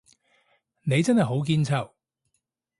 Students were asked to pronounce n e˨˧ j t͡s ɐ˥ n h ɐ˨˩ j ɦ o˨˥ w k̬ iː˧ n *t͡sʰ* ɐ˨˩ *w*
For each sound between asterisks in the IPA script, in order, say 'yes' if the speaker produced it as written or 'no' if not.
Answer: yes, yes

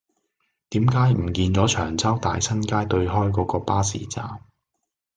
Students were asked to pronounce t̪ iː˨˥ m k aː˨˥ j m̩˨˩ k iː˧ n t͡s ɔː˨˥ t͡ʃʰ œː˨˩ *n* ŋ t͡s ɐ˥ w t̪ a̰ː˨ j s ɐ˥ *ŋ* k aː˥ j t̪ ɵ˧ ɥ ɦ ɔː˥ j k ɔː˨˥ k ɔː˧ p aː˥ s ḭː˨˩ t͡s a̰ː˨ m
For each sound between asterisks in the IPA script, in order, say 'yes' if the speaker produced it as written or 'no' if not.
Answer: no, no

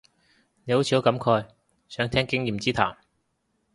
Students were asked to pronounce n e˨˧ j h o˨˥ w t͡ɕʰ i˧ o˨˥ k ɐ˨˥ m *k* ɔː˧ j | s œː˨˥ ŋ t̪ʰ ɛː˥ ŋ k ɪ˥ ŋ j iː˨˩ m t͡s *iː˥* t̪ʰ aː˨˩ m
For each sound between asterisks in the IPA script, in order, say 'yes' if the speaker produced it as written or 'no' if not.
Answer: no, yes

